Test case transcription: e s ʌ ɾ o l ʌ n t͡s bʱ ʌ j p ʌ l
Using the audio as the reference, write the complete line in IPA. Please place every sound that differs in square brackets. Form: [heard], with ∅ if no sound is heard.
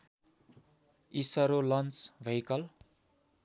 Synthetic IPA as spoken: [i] s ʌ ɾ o l ʌ n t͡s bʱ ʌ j [k] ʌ l